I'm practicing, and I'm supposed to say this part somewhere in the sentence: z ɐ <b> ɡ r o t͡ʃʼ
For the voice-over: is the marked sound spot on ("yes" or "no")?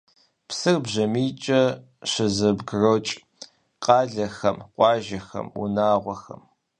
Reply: yes